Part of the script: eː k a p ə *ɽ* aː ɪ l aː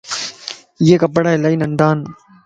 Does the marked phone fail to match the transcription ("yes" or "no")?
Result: no